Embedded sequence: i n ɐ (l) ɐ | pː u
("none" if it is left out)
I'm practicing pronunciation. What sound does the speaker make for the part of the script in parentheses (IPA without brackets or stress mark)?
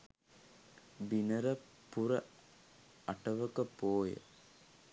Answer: ɾ